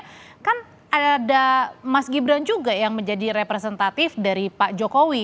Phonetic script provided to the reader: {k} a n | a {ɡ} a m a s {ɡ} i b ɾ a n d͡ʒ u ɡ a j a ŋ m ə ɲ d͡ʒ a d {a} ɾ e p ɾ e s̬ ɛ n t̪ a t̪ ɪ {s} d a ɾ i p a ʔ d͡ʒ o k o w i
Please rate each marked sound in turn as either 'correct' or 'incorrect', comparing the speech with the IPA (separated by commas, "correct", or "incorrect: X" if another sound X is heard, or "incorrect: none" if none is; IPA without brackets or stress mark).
correct, incorrect: d, correct, incorrect: i, incorrect: f